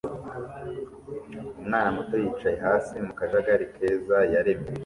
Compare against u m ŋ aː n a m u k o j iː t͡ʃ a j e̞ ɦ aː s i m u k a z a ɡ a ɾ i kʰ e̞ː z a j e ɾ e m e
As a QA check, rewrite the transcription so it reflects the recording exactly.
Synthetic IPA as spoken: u m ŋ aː n a m u t o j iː t͡ʃ a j e̞ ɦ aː s i m u k a ʒ a ɡ a ɾ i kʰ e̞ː z a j a ɾ e m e